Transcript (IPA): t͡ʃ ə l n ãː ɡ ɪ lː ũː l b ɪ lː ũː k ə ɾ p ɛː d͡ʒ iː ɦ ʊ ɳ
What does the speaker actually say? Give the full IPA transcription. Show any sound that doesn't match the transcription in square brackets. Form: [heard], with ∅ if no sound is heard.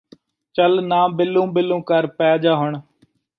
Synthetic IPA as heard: t͡ʃ ə l n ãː [b] ɪ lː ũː [∅] b ɪ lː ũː k ə ɾ p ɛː d͡ʒ [aː] ɦ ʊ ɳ